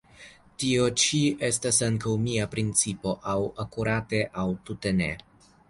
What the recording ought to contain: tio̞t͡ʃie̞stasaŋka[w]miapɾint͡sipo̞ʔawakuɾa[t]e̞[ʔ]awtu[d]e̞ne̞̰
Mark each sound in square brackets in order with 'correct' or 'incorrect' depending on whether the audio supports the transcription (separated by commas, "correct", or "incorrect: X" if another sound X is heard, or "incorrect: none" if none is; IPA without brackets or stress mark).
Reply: correct, correct, correct, incorrect: t